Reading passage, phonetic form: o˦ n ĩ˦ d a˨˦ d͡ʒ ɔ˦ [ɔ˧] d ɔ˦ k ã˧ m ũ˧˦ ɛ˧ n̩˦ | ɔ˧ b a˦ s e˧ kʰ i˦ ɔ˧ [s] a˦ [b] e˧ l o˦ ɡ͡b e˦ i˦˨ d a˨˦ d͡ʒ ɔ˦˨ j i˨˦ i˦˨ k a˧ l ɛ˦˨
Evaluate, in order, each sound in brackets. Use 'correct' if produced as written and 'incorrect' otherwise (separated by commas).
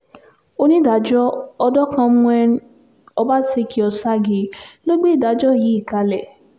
correct, correct, incorrect